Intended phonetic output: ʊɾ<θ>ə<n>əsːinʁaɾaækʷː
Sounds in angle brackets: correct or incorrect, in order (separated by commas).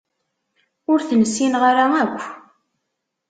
correct, correct